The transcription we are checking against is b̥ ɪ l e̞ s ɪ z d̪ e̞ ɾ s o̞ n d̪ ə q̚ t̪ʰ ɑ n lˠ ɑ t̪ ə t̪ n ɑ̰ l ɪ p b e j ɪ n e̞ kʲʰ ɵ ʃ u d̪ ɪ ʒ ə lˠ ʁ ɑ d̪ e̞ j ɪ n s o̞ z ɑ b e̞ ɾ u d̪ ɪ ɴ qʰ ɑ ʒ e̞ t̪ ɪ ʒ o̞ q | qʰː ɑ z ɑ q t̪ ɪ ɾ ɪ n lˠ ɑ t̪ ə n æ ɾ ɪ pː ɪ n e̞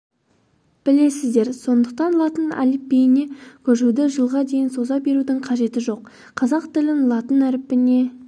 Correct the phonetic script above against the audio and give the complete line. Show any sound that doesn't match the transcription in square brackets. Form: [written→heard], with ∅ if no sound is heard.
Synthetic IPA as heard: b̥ ɪ l e̞ s ɪ z d̪ e̞ ɾ s o̞ n d̪ ə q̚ [t̪ʰ→t̪] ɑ n lˠ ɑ t̪ ə [t̪→∅] n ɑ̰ l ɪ p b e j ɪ n e̞ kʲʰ ɵ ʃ u d̪ ɪ ʒ ə lˠ ʁ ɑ d̪ e̞ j ɪ n s o̞ z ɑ b e̞ ɾ u d̪ ɪ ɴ qʰ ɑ ʒ e̞ t̪ ɪ ʒ o̞ q | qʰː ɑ z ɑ q t̪ ɪ [ɾ→l] ɪ n lˠ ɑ t̪ ə n æ ɾ ɪ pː ɪ n e̞